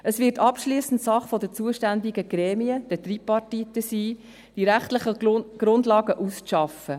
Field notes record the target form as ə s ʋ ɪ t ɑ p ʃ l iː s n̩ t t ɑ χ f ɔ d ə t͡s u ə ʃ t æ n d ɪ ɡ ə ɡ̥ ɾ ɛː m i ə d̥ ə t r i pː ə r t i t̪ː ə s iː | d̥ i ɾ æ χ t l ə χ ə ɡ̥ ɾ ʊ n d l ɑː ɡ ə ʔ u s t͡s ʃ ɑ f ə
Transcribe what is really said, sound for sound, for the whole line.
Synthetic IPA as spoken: ə s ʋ ɪ t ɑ p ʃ l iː s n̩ t s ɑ χ f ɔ d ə t͡s u ə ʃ t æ n d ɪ ɡ ə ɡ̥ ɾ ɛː m i ə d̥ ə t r i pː ɑ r t i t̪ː ə s iː | d̥ i ɾ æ χ t l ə χ ə ɡ̥ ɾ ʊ n d l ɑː ɡ ə ʔ u s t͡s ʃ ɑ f ə

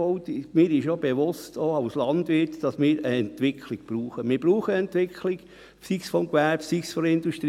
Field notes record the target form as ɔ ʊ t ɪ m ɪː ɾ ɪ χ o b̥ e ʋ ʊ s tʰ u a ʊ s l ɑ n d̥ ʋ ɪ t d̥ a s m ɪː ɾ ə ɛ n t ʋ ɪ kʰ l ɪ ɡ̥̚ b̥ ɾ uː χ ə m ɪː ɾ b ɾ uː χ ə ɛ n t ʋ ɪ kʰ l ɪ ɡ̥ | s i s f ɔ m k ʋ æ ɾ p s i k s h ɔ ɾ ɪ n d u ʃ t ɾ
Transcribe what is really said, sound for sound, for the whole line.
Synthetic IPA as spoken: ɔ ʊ t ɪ m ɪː ɾ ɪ ʃ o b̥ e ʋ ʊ s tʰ o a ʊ s l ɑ n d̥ ʋ ɪ t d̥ ɑ s m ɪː ɾ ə ɛ n t ʋ ɪ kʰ l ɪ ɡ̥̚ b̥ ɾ uː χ ə m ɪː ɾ b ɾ uː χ ə ɛ n t ʋ ɪ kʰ l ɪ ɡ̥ | s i s f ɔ m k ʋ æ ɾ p s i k s f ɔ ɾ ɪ n d u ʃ t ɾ

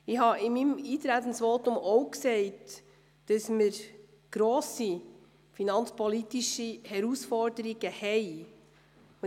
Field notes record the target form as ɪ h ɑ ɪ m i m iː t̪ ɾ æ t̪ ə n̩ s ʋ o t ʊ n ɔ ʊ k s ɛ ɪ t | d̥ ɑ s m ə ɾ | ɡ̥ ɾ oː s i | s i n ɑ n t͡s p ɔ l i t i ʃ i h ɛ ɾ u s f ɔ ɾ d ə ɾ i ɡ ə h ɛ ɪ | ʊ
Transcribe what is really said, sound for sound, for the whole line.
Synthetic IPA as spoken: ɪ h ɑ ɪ m i m iː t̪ ɾ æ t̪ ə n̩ s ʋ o t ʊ m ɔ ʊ k s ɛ ɪ t | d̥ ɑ s m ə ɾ | ɡ̥ ɾ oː s i | f i n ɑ n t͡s p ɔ l i t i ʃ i h ɛ ɾ u s f ɔ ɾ d ə ɾ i ɡ ə h ɛ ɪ | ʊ

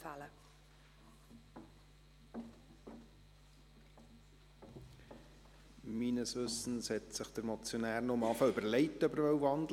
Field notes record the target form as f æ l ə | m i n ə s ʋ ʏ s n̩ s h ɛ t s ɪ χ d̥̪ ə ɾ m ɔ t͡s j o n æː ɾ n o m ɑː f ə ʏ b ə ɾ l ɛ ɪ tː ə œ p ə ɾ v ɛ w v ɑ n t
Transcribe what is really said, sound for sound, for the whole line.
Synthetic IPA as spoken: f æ l ə | m i n ə s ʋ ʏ s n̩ s h ɛ t s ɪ χ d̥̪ ə ɾ m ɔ t͡s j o n æː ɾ n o m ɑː f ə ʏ b ə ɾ l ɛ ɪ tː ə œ b ə ɾ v œ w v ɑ n d

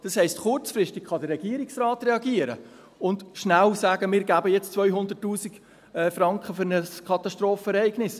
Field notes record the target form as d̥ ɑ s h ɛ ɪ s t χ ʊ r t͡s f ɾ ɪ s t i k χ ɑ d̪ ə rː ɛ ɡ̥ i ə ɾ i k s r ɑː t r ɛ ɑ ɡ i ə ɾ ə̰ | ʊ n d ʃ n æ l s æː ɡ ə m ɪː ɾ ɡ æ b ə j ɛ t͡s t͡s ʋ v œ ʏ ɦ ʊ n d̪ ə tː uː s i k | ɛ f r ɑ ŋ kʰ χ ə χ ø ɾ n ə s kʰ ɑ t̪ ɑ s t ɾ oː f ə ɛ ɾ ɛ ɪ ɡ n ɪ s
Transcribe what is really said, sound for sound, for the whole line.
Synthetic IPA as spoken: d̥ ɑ s h ɛ ɪ s t χ ʊ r t͡s f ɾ ɪ s t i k χ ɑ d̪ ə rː ɛ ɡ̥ i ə ɾ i k s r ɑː t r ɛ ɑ ɡ i ə ɾ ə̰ | ʊ n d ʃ n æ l s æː ɡ ə m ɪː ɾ ɡ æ b ə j ɛ t͡s t͡s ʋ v œ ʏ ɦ ʊ n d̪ ə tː uː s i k | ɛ f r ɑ ŋ k χ ə f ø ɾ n ə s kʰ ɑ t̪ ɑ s t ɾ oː f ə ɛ ɾ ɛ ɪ ɡ n ɪ s

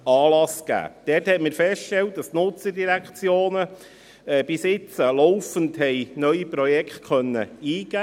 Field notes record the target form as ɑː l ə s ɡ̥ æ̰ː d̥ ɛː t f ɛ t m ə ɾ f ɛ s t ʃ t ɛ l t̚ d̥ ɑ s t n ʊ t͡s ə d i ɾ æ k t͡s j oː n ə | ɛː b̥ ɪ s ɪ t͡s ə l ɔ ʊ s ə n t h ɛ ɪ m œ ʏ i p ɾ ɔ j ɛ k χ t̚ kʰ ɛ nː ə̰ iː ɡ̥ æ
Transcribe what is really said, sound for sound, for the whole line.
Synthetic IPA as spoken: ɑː l ɑ s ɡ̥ æ̰ː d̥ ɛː t h ɛ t m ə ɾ f ɛ s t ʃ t ɛ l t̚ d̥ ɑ s t n ʊ t͡s ə d i ɾ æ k t͡s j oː n ə | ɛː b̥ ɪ s ɪ t͡s ə l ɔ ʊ f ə n t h ɛ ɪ n œ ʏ i p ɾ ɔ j ɛ k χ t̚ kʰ œ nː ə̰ iː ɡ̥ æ

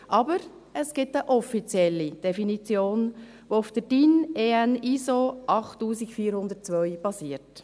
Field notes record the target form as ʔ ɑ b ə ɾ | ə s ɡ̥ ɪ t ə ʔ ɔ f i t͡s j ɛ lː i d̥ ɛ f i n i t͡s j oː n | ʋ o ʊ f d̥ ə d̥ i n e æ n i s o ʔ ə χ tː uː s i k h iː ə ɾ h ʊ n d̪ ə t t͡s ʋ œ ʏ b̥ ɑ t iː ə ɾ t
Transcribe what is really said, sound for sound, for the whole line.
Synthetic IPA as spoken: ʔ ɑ b ə ɾ | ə s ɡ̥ ɪ t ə ʔ ɔ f i t͡s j ɛ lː i d̥ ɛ f i n i t͡s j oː n | ʋ o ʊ f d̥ ə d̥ i n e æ n i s o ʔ ɑ χ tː uː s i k f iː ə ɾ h ʊ n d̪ ə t t͡s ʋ œ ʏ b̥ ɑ s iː ə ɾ t

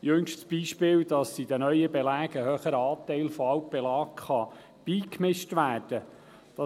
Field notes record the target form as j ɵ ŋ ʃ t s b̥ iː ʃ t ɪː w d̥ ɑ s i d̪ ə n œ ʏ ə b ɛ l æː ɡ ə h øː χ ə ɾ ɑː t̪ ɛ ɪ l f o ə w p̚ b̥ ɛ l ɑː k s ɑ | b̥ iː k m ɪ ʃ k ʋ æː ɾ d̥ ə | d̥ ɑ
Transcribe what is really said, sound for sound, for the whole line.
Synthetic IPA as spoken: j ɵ ŋ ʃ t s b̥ iː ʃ p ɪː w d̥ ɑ s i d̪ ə n œ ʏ ə b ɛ l æː ɡ ə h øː χ ə ɾ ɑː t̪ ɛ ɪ l f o ɑ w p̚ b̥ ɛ l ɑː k χ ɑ | b̥ iː k m ɪ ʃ t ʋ æː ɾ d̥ ə | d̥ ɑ

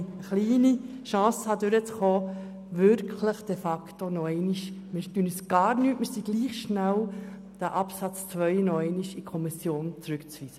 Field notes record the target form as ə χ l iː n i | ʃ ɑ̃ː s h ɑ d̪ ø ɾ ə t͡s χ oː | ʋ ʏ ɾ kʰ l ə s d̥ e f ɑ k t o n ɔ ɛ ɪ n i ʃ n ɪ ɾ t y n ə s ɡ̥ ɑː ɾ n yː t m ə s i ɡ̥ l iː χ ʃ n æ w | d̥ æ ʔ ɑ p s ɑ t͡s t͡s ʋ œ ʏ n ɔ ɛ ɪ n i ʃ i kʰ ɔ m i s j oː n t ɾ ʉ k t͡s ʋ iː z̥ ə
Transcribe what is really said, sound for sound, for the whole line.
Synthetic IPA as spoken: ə χ l iː n i | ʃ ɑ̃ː s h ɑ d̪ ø ɾ ə t͡s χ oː | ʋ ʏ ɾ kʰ l ə χ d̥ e f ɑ k t o n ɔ ɛ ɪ n i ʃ m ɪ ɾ t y n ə s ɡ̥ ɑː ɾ n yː t m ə s i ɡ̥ l iː χ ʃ n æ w | d̥ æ ʔ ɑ p s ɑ t͡s t͡s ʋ œ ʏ n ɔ ɛ ɪ n i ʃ i kʰ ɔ m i s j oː n t͡s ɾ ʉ k t͡s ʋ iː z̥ ə

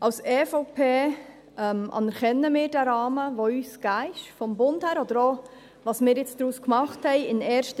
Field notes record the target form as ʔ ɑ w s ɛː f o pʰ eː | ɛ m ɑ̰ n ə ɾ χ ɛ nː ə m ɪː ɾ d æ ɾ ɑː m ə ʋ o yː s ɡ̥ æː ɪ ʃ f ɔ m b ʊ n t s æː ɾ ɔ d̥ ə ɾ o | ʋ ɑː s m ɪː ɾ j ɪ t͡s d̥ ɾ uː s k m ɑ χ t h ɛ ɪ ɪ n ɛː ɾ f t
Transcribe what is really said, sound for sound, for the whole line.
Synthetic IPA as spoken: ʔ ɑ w s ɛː f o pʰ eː | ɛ m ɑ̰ n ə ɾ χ ɛ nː ə m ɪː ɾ d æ ɾ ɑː m ə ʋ o yː s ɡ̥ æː ɪ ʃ f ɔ m b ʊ n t h æː ɾ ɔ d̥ ə ɾ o | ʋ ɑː s m ɪː ɾ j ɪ t͡s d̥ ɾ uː s k m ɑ χ t h ɛ ɪ ɪ n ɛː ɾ ʃ t

